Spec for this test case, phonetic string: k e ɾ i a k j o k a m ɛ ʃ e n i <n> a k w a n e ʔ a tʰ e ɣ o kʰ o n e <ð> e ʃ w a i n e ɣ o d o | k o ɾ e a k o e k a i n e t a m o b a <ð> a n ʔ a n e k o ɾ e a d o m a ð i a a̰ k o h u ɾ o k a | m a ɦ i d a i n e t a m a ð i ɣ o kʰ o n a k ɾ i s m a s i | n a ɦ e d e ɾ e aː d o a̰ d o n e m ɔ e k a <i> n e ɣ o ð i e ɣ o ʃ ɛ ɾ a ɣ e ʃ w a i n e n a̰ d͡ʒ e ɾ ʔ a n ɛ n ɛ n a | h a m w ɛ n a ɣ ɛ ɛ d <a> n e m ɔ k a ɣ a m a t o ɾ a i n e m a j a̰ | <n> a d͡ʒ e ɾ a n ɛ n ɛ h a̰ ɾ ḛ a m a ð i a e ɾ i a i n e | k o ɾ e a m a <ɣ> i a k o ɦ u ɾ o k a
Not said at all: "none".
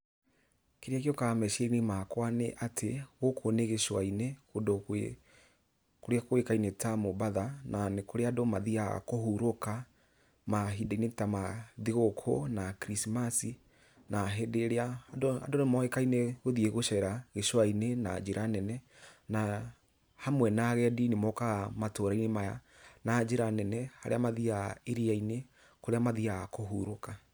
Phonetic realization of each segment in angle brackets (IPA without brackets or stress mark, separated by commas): m, ɣ, ð, i, i, n, ð